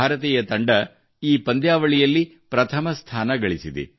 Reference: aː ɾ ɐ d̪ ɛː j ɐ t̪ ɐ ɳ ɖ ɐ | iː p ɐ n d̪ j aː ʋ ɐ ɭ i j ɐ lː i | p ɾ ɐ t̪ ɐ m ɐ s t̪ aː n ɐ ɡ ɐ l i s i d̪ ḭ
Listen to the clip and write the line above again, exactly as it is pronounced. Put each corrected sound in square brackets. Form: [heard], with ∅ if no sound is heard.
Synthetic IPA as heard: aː ɾ ɐ [t̪] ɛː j ɐ t̪ ɐ ɳ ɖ ɐ | iː p ɐ n d̪ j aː ʋ ɐ ɭ i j ɐ lː i | p ɾ ɐ [t̪ʰ] ɐ m ɐ s [t̪ʰ] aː n ɐ ɡ ɐ [ɭ] i s i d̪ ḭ

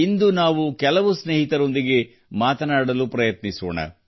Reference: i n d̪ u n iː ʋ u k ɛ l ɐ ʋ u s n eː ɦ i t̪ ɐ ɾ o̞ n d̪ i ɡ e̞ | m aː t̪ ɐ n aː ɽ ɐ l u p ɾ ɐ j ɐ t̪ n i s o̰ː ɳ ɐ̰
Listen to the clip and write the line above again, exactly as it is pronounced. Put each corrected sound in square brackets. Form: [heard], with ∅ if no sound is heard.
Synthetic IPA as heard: i n d̪ u n [aː] ʋ u k ɛ l ɐ ʋ u s n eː ɦ i t̪ ɐ ɾ o̞ n d̪ i ɡ e̞ | m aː t̪ ɐ n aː ɽ ɐ l u p ɾ ɐ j ɐ t̪ n i s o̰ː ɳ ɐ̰

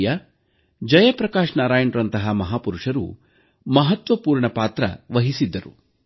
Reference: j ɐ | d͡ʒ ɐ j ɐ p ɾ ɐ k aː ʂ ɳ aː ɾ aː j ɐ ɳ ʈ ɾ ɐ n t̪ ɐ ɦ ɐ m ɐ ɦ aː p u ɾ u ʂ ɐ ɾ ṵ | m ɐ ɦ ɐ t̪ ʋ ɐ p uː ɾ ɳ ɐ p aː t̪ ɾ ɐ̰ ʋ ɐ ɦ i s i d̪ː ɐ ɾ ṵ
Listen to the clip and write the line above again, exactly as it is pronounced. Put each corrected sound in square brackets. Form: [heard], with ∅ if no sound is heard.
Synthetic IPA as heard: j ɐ | d͡ʒ ɐ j ɐ p ɾ ɐ k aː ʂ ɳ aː ɾ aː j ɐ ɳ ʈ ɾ ɐ n t̪ ɐ ɦ ɐ m ɐ ɦ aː p u ɾ u ʂ ɐ ɾ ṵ | m ɐ ɦ ɐ t̪ ʋ ɐ p uː ɾ ɳ ɐ p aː t̪ ɾ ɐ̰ ʋ ɐ ɦ i s i d̪ː ɐ ɾ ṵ

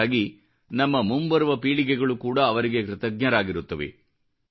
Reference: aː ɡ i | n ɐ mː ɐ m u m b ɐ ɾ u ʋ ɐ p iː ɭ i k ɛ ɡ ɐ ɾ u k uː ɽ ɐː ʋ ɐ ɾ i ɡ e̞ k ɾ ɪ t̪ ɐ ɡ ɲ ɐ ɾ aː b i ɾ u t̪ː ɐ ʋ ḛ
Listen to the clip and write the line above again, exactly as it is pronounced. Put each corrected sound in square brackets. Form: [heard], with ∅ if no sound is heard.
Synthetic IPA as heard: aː ɡ i | n ɐ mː ɐ m u m b ɐ ɾ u ʋ ɐ p iː ɭ i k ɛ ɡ ɐ [ɭ] u k uː ɽ ɐː ʋ ɐ ɾ i ɡ e̞ k ɾ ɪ t̪ ɐ ɡ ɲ ɐ ɾ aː [ɡ] i ɾ u t̪ː ɐ ʋ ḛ

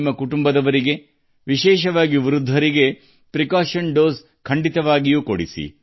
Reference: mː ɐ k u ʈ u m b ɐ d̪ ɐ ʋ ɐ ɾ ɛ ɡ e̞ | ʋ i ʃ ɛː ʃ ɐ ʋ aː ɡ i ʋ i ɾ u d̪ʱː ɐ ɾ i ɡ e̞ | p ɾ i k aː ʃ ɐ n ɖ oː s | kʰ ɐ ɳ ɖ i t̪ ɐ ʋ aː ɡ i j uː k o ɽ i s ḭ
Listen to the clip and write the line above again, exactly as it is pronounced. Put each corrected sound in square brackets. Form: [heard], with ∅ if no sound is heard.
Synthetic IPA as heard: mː ɐ k u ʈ u m b ɐ d̪ ɐ ʋ ɐ ɾ [i] ɡ e̞ | ʋ i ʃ ɛː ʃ ɐ ʋ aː ɡ i ʋ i ɾ u d̪ʱː ɐ ɾ i ɡ e̞ | p ɾ i k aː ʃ ɐ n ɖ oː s | kʰ ɐ ɳ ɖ i t̪ ɐ ʋ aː ɡ i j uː k o ɽ i s ḭ

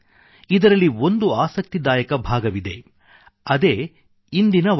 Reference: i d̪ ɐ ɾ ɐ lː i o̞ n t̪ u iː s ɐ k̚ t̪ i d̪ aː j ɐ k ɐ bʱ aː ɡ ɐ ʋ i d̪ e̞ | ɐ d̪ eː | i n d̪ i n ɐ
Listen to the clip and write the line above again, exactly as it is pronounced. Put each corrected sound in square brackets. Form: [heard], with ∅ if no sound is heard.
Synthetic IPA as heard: i d̪ ɐ ɾ ɐ lː i o̞ n [d̪] u [aː] s ɐ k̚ t̪ i d̪ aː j ɐ k ɐ bʱ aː ɡ ɐ ʋ i d̪ e̞ | ɐ d̪ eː | i n d̪ i n ɐ

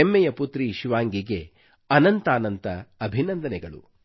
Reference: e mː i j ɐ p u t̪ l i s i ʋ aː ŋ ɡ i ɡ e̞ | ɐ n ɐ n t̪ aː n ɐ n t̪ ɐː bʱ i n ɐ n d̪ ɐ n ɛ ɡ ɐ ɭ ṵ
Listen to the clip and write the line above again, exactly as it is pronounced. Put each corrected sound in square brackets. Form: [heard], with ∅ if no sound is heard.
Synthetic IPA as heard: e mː [ɛ] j ɐ p u t̪ [ɾ] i [ʃ] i ʋ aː ŋ ɡ i ɡ e̞ | ɐ n ɐ n t̪ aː n ɐ n t̪ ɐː bʱ i n ɐ n d̪ ɐ n ɛ ɡ ɐ ɭ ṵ

